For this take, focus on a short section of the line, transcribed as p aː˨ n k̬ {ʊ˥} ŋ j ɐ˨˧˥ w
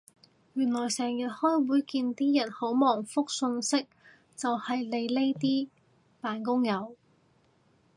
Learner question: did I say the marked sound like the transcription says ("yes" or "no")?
yes